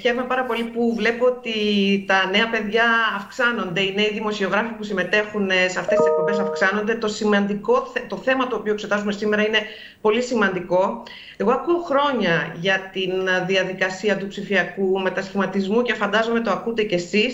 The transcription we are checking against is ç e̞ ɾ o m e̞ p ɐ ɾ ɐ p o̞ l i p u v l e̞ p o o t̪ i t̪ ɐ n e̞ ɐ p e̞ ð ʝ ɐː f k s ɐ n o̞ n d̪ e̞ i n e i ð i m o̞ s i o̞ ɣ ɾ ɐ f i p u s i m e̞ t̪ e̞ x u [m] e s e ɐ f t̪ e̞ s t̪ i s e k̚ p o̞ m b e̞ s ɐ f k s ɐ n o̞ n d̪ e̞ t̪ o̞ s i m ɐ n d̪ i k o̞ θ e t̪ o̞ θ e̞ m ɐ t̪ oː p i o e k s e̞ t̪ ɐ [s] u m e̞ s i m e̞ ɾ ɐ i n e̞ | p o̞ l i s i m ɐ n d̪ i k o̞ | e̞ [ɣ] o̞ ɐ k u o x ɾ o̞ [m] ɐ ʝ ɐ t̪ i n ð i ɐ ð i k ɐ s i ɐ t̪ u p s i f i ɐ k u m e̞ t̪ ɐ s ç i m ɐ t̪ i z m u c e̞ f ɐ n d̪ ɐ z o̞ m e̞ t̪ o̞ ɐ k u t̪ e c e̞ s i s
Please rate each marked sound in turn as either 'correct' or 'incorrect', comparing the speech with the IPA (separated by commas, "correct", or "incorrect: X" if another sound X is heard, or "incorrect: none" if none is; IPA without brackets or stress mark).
incorrect: n, incorrect: z, correct, incorrect: ɲ